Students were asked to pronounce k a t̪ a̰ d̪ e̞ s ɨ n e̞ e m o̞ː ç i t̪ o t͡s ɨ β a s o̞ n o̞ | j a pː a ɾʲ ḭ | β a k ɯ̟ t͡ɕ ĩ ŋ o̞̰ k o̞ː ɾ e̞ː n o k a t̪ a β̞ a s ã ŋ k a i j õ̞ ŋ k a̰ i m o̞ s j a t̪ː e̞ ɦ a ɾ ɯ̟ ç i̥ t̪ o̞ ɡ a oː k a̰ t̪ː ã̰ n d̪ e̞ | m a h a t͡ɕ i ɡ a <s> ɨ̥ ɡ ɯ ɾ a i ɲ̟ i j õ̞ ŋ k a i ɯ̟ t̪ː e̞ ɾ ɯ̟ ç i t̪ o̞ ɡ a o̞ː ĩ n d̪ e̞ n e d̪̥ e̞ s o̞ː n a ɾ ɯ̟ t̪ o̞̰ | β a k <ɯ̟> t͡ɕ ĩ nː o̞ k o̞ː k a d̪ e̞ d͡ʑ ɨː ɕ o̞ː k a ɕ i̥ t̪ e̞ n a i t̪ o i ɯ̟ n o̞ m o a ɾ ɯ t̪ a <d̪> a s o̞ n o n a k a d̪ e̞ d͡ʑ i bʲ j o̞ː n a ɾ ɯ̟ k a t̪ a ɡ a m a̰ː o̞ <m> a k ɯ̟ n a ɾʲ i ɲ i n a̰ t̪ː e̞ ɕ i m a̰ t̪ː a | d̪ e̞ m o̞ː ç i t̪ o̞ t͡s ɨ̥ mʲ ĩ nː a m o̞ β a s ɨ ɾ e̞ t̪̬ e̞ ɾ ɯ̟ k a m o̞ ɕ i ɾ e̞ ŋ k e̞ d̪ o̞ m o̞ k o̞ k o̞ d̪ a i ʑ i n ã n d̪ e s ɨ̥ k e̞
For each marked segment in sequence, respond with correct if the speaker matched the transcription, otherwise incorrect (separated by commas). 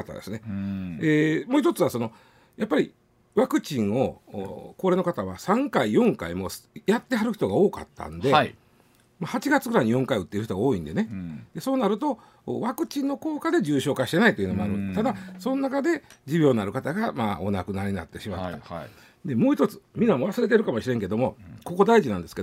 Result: incorrect, correct, correct, incorrect